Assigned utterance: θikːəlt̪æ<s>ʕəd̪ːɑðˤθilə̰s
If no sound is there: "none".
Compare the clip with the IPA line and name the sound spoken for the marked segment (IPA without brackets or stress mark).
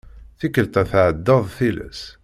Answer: θ